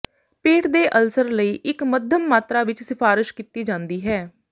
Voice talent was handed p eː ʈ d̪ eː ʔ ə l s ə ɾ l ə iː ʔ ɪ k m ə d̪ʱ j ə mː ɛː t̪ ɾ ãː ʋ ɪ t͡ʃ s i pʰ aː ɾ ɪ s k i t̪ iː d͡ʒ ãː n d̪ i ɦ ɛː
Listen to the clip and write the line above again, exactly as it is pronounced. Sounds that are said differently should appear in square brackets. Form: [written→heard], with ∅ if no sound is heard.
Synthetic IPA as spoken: p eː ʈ d̪ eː ʔ ə l s ə ɾ l ə iː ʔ ɪ k m ə d̪ʱ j ə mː [ɛː→aː] t̪ ɾ [ãː→aː] ʋ ɪ t͡ʃ s [i→ɪ] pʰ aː ɾ ɪ [s→ʃ] k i t̪ iː d͡ʒ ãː n d̪ [i→iː] ɦ ɛː